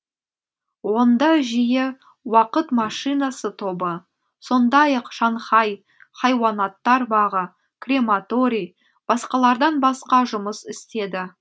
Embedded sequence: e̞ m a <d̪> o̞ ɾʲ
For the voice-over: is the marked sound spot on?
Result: no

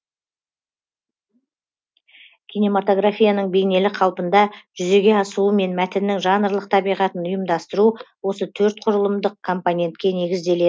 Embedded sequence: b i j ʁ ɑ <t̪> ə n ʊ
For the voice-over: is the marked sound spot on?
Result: yes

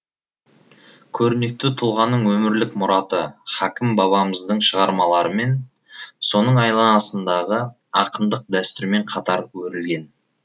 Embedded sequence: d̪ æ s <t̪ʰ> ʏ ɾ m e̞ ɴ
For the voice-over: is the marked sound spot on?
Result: no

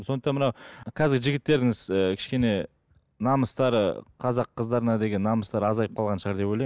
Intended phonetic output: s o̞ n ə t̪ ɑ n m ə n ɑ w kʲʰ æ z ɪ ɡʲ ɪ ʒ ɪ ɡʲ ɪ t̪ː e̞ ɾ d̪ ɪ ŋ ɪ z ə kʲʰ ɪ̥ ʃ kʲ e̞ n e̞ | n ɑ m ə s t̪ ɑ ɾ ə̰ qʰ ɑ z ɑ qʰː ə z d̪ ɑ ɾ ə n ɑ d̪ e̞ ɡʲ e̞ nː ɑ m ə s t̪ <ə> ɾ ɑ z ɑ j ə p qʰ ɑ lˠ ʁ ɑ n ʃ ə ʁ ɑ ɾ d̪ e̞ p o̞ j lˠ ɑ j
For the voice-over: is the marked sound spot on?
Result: no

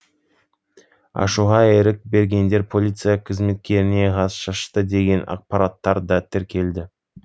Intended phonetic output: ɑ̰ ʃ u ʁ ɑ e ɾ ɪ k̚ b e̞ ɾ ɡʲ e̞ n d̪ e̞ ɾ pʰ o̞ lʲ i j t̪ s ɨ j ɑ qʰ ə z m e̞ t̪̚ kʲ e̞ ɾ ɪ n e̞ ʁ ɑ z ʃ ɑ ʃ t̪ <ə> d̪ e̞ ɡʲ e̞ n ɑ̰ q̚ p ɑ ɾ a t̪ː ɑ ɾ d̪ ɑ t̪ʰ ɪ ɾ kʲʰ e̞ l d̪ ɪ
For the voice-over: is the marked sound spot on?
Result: yes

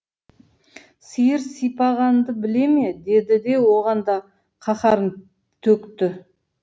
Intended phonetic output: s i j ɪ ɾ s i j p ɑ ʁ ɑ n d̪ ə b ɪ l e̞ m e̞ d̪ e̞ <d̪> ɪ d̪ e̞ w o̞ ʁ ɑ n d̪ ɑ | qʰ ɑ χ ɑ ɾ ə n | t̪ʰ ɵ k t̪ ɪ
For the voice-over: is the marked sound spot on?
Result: yes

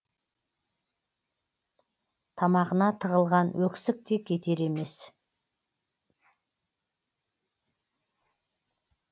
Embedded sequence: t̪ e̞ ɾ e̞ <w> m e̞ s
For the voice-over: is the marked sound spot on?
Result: no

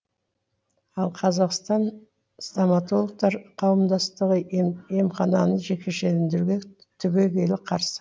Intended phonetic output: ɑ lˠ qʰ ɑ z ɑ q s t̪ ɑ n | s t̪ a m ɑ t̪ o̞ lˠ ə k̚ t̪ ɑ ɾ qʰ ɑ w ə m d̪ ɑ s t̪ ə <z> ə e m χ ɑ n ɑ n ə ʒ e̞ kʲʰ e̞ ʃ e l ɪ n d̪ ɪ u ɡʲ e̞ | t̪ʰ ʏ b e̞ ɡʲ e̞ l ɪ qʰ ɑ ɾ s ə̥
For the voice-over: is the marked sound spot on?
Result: no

